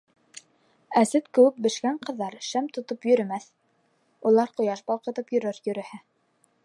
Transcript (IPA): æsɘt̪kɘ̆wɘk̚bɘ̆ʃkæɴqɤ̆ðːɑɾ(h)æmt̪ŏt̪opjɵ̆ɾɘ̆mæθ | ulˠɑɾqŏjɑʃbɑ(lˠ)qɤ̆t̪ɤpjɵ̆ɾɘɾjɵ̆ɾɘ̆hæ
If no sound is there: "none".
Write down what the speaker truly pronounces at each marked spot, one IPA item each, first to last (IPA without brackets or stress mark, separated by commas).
ʃ, lˠ